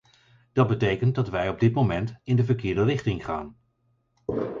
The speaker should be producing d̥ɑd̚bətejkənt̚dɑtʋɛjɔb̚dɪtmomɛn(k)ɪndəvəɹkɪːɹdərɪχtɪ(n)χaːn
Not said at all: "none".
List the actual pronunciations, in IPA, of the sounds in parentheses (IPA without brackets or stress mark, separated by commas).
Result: t, ŋ